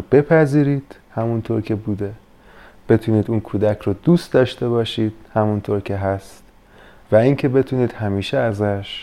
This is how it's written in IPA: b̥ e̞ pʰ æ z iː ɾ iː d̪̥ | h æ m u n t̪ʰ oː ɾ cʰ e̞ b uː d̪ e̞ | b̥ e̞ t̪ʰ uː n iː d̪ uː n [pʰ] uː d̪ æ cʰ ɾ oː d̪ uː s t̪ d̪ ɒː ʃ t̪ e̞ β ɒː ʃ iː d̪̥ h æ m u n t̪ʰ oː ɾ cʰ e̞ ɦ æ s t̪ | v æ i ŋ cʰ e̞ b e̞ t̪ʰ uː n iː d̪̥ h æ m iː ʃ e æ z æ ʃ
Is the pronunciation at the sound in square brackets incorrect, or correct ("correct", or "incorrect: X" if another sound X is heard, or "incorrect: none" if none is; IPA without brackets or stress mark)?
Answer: incorrect: kʰ